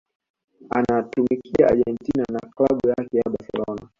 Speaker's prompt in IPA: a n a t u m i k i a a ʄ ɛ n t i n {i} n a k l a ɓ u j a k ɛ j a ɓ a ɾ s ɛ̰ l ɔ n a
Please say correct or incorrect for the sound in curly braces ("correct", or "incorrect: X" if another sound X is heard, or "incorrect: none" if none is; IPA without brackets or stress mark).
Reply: incorrect: a